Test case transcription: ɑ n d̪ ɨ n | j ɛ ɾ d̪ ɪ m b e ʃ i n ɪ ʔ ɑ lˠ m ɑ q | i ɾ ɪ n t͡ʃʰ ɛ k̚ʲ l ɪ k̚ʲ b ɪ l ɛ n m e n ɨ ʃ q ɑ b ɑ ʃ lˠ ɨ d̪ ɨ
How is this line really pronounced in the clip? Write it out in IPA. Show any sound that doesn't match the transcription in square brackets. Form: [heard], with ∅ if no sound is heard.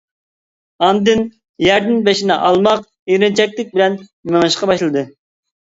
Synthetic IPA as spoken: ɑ n d̪ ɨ n | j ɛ ɾ d̪ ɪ [n] b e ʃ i n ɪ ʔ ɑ lˠ m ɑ q | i ɾ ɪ n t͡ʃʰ ɛ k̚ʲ l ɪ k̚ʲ b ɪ l ɛ n m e [ŋ] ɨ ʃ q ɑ b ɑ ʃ lˠ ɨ d̪ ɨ